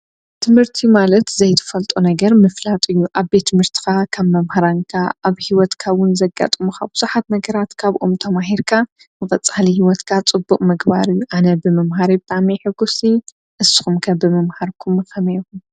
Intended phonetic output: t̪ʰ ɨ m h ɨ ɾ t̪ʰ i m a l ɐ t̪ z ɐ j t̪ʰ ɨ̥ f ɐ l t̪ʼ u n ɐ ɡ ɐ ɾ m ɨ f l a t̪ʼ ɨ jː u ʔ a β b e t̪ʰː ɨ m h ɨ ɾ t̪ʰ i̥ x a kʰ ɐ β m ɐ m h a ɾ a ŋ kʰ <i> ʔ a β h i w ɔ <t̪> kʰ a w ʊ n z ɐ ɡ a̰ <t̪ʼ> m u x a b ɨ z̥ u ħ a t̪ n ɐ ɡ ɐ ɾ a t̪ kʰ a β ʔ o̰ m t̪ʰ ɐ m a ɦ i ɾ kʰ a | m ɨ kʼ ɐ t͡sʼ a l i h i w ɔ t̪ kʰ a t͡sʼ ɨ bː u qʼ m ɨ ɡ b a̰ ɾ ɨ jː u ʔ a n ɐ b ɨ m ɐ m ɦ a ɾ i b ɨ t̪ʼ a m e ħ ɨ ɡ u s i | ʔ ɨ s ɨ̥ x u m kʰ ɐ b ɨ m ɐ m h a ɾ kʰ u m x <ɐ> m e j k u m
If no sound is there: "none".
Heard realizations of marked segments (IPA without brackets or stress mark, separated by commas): a, t̪, t̪ʼ, ɐ